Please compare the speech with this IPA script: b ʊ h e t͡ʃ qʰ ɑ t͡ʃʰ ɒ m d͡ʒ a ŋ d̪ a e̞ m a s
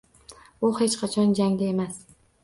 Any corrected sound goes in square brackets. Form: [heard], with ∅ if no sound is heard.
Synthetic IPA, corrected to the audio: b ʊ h e t͡ʃ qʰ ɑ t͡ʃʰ ɒ [n] d͡ʒ a ŋ d̪ a e̞ m a s